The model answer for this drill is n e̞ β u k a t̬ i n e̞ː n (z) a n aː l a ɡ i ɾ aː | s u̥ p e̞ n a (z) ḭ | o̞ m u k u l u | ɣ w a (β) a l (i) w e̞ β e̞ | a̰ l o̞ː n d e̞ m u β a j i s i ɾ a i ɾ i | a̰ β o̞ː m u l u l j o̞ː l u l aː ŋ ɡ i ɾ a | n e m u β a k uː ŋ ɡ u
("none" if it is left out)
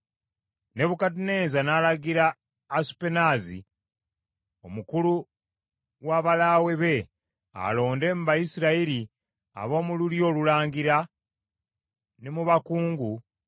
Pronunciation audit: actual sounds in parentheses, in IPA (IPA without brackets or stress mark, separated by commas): z, z, β, a